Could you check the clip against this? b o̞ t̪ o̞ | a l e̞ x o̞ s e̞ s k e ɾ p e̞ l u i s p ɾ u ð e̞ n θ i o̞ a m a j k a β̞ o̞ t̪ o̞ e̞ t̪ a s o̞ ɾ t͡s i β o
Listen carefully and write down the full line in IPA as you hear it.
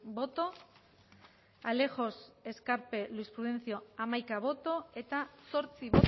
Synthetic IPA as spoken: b o̞ t̪ o̞ | a l e̞ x o̞ s e̞ s k a ɾ p e̞ l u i s p ɾ u ð e̞ n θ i o̞ a m a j k a β̞ o̞ t̪ o̞ e̞ t̪ a s o̞ ɾ t͡s i β o